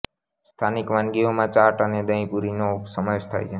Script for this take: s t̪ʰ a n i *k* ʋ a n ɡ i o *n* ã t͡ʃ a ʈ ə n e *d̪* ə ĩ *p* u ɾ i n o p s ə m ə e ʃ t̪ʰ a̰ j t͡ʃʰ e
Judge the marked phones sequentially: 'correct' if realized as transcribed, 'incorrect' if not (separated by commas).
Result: correct, incorrect, correct, correct